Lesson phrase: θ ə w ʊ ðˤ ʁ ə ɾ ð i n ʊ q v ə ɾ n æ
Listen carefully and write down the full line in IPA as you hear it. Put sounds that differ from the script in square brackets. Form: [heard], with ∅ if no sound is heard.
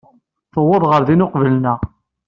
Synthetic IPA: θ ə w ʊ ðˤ ʁ ə ɾ ð i n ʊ q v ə [l] n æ

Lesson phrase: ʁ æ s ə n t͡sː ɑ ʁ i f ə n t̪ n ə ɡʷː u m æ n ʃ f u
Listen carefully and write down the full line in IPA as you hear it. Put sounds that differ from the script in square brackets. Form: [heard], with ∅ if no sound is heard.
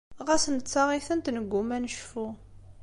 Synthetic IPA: ʁ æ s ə n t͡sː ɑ ʁ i [θ] ə n t̪ n ə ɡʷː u m æ n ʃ f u

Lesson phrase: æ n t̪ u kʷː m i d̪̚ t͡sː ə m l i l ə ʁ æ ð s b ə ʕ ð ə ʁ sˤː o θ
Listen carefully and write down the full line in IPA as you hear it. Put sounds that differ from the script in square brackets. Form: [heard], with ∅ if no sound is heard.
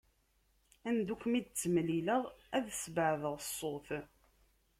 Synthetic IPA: æ n [d̪] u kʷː m i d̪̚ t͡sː ə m l i l ə ʁ æ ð s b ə ʕ ð ə ʁ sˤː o θ

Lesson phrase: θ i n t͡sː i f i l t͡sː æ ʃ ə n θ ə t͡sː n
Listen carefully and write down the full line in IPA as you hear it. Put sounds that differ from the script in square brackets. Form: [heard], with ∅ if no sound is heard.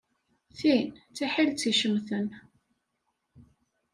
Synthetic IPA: θ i n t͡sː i [ħ] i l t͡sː [i] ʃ ə [m] θ ə [∅] n

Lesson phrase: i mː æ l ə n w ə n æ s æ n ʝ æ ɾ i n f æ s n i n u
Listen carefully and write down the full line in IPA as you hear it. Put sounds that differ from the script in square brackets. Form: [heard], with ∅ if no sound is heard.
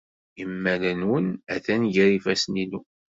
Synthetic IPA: i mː æ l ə n w ə n æ [θ] æ n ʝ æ ɾ i [∅] f æ s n i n u

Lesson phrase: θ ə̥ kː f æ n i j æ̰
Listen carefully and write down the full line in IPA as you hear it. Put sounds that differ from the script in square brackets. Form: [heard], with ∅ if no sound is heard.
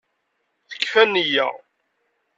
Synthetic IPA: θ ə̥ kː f æ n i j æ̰

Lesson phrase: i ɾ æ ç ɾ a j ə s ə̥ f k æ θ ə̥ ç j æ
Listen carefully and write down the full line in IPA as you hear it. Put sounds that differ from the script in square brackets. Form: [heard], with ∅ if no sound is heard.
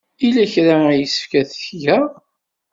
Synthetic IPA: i [l] æ ç ɾ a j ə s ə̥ f k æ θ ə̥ ç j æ

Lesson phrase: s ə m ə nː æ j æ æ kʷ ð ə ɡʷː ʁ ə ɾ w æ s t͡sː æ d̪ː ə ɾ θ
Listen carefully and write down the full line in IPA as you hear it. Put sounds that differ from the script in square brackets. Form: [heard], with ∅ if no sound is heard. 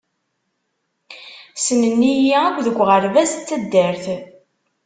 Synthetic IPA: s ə [n] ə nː [i] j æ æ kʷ ð ə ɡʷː ʁ ə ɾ [v] æ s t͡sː æ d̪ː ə ɾ θ

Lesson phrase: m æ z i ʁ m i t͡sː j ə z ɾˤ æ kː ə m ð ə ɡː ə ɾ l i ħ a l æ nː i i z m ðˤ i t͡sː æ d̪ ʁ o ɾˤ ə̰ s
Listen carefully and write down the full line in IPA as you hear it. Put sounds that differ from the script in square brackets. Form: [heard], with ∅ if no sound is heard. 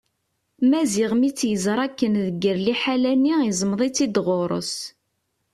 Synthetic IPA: m æ z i ʁ m i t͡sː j ə z ɾˤ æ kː ə [n] ð ə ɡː ə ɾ l i ħ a l æ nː i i z m ðˤ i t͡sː [i] d̪ ʁ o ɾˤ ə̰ s

